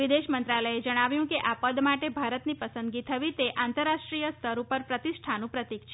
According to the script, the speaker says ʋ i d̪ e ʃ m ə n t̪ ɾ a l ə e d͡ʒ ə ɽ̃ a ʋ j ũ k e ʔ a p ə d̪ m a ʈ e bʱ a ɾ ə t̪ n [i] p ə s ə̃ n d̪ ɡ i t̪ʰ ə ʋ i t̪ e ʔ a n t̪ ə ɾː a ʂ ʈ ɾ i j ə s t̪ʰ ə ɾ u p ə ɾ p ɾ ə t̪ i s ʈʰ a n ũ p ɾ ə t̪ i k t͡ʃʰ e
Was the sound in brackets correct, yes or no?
yes